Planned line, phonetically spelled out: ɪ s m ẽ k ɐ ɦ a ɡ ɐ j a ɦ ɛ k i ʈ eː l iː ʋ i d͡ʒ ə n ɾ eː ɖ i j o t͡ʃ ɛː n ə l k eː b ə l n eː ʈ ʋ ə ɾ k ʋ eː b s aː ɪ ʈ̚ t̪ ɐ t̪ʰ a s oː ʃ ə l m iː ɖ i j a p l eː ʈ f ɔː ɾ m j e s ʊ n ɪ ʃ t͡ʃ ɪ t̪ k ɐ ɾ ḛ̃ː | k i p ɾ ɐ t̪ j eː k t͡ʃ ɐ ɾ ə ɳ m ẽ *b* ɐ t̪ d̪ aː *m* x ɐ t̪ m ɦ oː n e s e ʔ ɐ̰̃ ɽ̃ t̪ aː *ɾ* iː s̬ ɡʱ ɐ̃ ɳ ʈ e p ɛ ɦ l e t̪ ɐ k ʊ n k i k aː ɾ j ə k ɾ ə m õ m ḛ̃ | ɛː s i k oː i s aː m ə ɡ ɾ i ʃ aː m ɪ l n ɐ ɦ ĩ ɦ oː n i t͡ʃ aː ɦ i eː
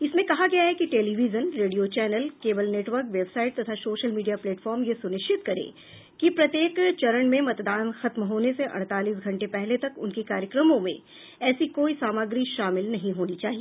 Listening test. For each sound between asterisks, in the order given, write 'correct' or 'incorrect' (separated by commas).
incorrect, incorrect, incorrect